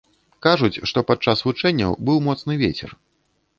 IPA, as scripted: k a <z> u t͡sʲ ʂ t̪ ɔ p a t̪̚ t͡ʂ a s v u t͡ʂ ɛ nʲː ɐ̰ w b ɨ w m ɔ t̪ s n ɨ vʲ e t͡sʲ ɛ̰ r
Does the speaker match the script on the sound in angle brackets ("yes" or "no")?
no